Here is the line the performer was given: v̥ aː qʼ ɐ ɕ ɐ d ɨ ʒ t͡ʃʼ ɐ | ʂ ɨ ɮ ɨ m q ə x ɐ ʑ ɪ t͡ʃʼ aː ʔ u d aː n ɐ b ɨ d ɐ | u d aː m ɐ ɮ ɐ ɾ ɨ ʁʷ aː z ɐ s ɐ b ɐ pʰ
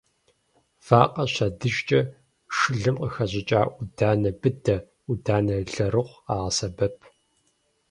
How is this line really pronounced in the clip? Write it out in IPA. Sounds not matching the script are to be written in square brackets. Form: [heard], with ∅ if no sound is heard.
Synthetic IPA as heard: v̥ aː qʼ ɐ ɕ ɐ d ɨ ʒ t͡ʃʼ ɐ | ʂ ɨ ɮ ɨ m q ə x ɐ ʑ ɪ t͡ʃʼ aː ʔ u d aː n ɐ b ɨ d ɐ | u d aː [n] ɐ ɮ ɐ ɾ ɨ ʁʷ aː [ʁ] ɐ s ɐ b ɐ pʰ